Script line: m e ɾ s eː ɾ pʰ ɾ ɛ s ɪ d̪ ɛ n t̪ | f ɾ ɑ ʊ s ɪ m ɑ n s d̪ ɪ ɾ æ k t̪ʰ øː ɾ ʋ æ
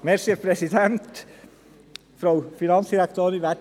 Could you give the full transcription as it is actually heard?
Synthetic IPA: m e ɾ s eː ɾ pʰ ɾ ɛ s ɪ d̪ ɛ n t̪ | f ɾ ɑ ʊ f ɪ n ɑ n s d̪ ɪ ɾ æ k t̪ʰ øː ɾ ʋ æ

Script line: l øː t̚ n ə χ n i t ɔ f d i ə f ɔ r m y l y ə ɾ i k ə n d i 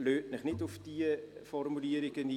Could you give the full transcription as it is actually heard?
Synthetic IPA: l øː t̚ n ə χ n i t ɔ f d i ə f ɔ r m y l i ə ɾ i k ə n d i

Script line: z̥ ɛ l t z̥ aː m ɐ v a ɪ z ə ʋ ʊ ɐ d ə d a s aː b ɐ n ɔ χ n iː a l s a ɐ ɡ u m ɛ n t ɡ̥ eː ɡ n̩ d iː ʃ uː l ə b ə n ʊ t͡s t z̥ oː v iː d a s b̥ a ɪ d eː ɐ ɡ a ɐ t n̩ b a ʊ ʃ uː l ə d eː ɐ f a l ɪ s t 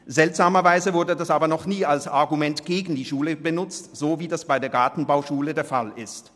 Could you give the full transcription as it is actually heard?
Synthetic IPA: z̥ ɛ l t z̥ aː m ɐ v a ɪ z ə v ʊ ɐ d ə d a s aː b ɐ n ɔ χ n iː a l s a ɐ ɡ u m ɛ n t ɡ̥ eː ɡ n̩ d iː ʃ uː l ə b ə n ʊ t͡s t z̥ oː v iː d a s b̥ a ɪ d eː ɐ ɡ a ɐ t n̩ b a ʊ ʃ uː l ə d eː ɐ f a l ɪ s t

